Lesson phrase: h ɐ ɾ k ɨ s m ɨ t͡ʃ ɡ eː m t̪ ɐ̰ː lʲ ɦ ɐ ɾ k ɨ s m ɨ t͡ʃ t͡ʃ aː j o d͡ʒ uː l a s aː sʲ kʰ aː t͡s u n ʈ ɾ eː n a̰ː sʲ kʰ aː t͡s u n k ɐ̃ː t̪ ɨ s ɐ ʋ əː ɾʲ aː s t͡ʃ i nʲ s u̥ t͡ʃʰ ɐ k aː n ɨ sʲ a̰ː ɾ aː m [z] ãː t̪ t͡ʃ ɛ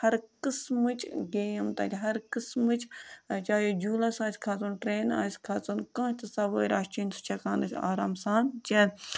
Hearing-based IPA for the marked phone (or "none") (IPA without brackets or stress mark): s